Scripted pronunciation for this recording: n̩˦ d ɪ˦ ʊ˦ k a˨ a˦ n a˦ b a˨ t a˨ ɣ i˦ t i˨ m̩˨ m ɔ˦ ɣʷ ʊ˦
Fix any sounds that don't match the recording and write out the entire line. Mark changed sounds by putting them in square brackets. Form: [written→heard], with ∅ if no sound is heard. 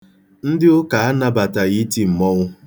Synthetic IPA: n̩˦ d ɪ˦ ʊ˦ k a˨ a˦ n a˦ b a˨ t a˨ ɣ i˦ t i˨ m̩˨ m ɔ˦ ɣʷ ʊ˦